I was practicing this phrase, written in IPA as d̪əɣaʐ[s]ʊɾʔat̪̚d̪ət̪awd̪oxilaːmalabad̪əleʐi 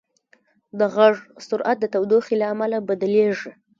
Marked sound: correct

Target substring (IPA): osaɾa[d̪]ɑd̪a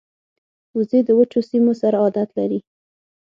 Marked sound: incorrect: none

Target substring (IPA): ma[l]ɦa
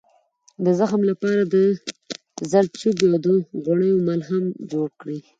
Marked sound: correct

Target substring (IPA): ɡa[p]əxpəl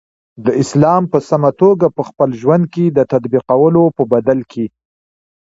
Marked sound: correct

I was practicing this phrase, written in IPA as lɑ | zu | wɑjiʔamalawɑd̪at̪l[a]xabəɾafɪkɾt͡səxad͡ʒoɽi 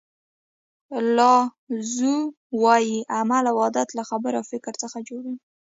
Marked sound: correct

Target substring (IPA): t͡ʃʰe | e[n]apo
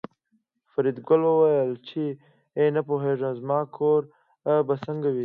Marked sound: correct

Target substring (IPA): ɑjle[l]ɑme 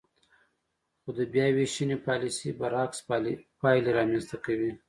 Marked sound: incorrect: ɾ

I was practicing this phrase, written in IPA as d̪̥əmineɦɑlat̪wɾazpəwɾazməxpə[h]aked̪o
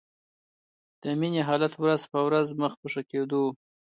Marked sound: incorrect: ʂ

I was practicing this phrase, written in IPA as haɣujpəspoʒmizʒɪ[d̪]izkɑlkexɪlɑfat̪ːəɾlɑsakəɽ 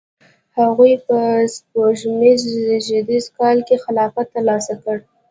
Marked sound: correct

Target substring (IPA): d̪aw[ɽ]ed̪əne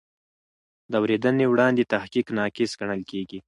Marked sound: incorrect: ɾ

